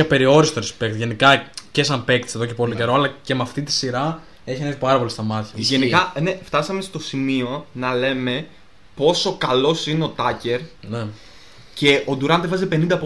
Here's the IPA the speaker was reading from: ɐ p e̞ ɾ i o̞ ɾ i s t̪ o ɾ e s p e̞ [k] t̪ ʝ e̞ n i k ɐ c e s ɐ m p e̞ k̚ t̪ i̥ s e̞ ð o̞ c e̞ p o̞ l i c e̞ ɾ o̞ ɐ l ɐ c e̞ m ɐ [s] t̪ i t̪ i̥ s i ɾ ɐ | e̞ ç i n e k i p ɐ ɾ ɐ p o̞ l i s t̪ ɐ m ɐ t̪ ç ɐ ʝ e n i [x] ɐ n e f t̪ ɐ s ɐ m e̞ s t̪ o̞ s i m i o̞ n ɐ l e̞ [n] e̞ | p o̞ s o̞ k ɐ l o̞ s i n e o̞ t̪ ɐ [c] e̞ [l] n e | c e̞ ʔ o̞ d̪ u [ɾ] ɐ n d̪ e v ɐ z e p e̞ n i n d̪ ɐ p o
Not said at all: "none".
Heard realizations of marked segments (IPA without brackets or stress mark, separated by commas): k, f, k, m, c, ɾ, ɾ